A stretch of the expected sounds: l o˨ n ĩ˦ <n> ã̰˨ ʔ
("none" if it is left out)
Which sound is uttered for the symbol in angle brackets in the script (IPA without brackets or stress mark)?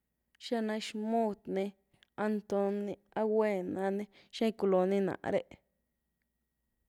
n